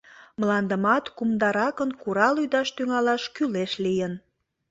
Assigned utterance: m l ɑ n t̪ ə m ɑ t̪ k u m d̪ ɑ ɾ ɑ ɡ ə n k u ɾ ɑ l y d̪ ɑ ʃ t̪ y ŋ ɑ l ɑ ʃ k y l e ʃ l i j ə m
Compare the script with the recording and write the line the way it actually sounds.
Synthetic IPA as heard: m l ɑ n d̪ ə m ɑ t̪ k u m d̪ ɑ ɾ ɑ k ə n k u ɾ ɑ l y d̪ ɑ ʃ t̪ y ŋ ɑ l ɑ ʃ k y l e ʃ l i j ə n